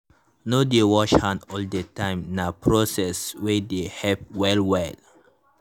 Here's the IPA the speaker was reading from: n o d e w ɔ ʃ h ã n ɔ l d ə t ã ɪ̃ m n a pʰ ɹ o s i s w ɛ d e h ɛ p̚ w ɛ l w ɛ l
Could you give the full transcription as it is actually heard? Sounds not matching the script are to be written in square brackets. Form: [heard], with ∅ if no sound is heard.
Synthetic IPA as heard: n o d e w ɔ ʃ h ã n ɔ l d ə t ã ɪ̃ m n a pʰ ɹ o s [ɛ] s w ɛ d e h ɛ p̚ w ɛ l w ɛ l